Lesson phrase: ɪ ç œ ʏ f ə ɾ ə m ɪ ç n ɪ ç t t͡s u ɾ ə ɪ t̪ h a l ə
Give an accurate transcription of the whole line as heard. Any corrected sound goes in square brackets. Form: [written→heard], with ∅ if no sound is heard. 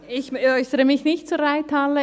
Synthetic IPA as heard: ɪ ç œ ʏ [f→s] ə ɾ ə m ɪ ç n ɪ ç t t͡s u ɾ [ə→a] ɪ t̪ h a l ə